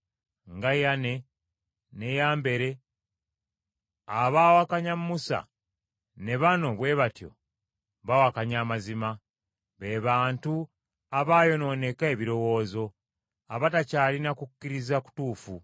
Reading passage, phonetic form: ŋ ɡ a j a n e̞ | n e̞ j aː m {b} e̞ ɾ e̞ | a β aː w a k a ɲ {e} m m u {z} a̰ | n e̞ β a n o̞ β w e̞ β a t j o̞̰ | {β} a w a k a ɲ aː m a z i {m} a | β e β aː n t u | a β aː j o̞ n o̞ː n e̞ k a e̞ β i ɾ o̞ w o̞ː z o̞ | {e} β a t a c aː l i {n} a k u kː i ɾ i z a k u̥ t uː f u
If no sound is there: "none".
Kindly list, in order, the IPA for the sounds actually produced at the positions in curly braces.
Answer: b, a, s, β, m, a, n

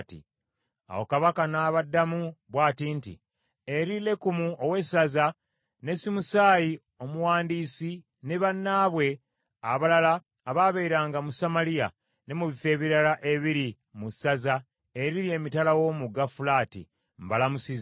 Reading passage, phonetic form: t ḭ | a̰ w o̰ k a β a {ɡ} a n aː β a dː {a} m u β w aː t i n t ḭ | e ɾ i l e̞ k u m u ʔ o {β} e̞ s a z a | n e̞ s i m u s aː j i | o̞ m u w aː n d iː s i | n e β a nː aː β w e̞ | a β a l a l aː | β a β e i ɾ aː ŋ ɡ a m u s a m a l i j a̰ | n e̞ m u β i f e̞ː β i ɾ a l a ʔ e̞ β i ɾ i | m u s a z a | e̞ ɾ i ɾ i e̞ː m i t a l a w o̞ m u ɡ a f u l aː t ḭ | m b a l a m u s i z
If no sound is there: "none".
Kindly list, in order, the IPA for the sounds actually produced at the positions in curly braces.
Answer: k, a, w

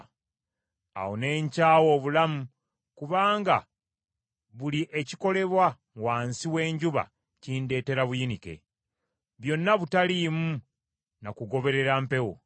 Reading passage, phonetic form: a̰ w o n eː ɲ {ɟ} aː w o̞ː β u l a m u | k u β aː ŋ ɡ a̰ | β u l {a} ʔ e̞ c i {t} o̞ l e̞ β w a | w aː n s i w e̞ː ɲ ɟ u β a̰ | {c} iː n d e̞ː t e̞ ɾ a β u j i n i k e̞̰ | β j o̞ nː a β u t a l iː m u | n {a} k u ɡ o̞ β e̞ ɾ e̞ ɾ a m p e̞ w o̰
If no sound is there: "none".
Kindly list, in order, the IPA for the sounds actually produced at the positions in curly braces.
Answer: c, i, k, c, a

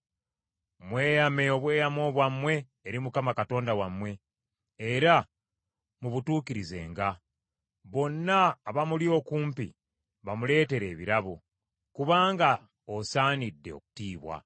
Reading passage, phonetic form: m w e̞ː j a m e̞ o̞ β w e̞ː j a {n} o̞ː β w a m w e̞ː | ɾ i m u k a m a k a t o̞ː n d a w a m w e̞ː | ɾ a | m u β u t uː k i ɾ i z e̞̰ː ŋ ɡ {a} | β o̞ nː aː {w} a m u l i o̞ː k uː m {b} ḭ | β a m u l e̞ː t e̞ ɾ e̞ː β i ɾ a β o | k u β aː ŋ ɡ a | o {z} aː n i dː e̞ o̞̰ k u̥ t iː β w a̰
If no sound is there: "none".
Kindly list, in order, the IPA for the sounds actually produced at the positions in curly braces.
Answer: m, a, β, p, s

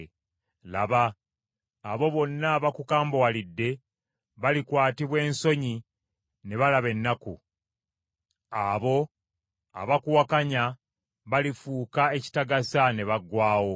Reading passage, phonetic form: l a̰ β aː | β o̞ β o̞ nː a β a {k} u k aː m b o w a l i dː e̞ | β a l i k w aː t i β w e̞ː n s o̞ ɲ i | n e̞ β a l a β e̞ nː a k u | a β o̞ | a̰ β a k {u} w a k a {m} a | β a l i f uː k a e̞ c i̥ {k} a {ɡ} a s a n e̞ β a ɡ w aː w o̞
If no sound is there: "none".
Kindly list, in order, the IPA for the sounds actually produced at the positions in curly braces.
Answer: k, u, ɲ, t, ɡ

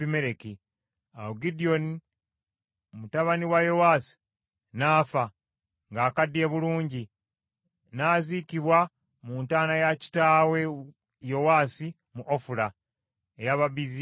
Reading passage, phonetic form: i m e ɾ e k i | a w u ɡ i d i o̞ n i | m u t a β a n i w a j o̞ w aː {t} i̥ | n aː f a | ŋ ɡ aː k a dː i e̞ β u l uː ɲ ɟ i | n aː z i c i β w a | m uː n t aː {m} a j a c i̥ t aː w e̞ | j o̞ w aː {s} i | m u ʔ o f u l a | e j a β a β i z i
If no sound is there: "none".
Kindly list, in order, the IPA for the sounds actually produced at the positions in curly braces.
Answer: s, n, s

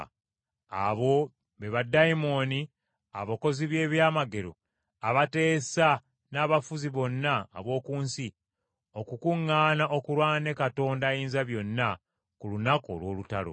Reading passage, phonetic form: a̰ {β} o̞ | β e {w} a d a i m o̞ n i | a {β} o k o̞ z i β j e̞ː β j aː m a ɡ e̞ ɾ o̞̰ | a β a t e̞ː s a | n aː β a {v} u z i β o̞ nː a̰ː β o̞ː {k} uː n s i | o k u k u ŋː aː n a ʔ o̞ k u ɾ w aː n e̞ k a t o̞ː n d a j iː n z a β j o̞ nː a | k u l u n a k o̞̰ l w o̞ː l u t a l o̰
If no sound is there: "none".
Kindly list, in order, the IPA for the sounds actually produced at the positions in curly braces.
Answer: β, β, β, f, k

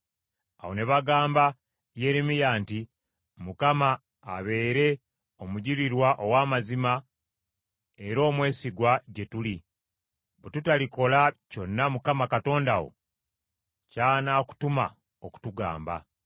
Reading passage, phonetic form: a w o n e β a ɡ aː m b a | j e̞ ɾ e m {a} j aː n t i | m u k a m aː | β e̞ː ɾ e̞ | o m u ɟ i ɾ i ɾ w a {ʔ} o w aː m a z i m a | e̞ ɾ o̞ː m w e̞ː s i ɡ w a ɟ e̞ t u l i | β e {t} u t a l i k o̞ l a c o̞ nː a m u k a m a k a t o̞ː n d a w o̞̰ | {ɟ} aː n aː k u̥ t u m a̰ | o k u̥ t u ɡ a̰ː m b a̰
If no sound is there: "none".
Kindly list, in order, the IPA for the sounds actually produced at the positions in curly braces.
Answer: i, ʔ, t, c

